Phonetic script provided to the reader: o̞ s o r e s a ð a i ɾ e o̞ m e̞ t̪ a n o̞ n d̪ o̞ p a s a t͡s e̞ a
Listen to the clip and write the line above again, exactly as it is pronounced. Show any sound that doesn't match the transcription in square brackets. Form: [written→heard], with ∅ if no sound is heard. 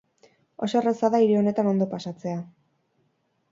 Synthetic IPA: o̞ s o r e s a ð a i ɾ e o̞ [m→n] e̞ t̪ a n o̞ n d̪ o̞ p a s a t͡s e̞ a